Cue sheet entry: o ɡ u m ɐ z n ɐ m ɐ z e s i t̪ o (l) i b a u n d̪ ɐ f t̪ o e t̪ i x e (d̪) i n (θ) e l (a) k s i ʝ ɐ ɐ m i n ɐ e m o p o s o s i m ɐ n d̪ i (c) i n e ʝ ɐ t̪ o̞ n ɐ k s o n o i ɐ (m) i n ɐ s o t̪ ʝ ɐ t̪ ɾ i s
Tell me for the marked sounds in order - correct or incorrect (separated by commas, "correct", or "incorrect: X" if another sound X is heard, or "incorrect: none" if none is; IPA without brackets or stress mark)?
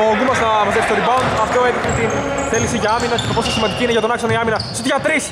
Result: incorrect: ɾ, incorrect: t̪, correct, incorrect: i, correct, correct